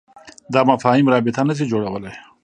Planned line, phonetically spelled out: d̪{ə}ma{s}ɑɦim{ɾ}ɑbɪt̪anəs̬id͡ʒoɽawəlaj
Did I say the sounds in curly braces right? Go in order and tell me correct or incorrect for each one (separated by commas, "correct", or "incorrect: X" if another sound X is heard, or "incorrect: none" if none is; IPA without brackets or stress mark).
incorrect: ɑ, incorrect: f, correct